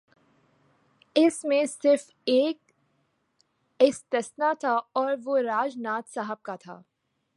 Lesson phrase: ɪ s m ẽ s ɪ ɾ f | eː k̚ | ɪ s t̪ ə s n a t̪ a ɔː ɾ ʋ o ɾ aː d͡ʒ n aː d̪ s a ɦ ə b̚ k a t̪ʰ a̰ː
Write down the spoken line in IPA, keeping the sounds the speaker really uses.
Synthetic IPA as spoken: ɪ s m ẽ s ɪ ɾ f | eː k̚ | ɪ s t̪ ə s n a t̪ʰ a ɔː ɾ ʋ o ɾ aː d͡ʒ n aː t̪ s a ɦ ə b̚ k a t̪ʰ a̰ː